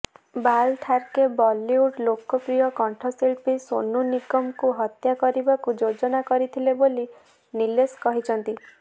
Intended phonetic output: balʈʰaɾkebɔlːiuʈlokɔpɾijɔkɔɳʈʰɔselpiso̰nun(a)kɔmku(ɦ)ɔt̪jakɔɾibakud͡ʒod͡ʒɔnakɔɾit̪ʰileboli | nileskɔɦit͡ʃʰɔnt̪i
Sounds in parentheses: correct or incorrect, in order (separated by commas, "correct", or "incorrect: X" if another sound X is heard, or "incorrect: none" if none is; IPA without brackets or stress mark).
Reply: incorrect: i, correct